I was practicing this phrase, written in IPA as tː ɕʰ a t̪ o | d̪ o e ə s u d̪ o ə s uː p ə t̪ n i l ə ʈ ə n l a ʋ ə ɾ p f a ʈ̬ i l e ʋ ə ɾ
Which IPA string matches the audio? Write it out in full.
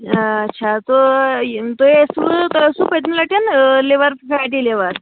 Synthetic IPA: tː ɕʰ a t̪ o | t̪ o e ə s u t̪ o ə s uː p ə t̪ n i l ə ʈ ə n l e ʋ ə ɾ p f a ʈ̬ i l e ʋ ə ɾ